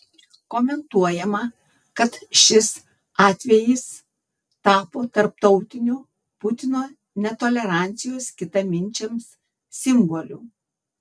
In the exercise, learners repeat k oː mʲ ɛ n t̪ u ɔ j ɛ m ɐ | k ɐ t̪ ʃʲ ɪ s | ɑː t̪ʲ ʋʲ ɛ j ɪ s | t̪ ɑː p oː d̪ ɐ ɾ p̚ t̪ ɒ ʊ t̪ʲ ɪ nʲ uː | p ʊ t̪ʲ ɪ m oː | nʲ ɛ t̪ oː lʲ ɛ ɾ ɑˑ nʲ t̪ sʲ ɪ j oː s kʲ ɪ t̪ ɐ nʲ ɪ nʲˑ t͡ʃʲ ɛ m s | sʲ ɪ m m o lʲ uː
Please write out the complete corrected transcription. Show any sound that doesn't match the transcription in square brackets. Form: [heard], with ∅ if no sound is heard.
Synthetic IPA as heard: k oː mʲ ɛ n t̪ u ɔ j ɛ m ɐ | k ɐ t̪ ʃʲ ɪ s | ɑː t̪ʲ ʋʲ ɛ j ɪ s | t̪ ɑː p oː [t̪] ɐ ɾ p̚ t̪ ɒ ʊ t̪ʲ ɪ nʲ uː | p ʊ t̪ʲ ɪ [n] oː | nʲ ɛ t̪ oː lʲ ɛ ɾ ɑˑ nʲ t̪ sʲ ɪ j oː s kʲ ɪ t̪ ɐ [mʲ] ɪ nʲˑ t͡ʃʲ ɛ m s | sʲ ɪ m [b] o lʲ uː